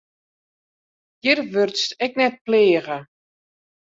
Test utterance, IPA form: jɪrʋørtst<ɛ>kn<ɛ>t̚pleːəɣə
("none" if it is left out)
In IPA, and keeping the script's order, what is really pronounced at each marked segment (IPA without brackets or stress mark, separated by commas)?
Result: ɛ, ɛ